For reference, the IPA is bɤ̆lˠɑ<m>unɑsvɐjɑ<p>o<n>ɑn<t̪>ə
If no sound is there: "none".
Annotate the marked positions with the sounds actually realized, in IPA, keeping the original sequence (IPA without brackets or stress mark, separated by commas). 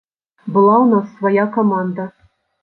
none, k, m, d̪